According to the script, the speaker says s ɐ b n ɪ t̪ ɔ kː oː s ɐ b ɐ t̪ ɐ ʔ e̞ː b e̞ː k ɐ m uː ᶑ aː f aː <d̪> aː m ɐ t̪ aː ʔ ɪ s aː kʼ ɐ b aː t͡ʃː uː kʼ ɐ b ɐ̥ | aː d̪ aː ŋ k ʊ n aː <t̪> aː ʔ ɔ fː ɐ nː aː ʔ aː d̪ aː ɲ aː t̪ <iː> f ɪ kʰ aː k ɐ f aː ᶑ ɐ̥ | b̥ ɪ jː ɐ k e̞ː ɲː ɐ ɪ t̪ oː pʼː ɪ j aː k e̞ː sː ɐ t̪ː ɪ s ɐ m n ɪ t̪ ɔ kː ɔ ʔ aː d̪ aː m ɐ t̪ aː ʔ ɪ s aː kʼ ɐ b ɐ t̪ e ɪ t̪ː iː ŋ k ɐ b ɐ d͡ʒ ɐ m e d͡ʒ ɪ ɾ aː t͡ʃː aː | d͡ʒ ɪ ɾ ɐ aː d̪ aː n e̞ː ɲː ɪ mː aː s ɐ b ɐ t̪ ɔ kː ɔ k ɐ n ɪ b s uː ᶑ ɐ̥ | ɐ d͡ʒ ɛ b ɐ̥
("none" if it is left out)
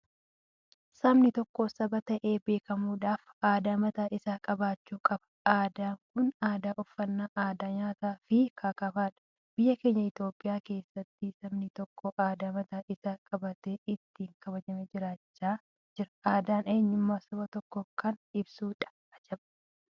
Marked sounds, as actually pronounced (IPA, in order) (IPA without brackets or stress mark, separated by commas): d̪, d̪, aː